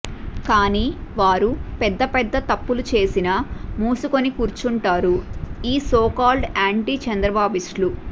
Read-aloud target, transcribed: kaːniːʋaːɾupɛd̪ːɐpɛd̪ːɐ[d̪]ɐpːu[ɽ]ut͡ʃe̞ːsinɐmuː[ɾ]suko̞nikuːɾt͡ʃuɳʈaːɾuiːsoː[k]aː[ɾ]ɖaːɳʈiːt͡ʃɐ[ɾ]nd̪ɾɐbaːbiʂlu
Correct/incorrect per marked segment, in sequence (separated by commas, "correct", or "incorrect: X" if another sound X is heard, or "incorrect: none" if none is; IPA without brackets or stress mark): incorrect: t̪, incorrect: l, incorrect: none, correct, incorrect: l, incorrect: none